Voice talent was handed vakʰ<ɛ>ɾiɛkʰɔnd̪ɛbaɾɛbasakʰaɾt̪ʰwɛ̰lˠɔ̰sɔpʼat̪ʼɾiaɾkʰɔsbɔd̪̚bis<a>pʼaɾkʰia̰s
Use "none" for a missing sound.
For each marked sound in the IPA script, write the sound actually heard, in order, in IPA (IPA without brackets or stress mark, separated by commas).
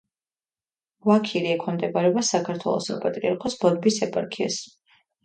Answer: i, ɛ